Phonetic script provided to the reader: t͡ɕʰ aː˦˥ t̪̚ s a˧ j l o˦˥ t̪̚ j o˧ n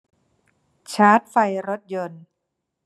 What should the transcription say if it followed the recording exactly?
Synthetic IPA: t͡ɕʰ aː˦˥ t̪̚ f a˧ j ɾ o˦˥ t̪̚ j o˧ n